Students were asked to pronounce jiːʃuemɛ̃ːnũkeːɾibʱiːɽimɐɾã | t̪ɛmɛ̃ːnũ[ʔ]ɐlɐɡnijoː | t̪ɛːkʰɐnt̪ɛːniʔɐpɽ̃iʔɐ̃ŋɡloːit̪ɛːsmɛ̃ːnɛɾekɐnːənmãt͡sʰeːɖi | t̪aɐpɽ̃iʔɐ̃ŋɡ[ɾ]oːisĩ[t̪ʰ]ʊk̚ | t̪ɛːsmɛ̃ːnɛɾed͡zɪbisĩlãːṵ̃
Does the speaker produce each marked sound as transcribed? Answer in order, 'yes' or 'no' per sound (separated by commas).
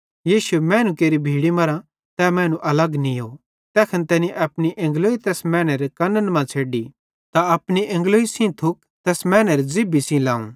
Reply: yes, no, yes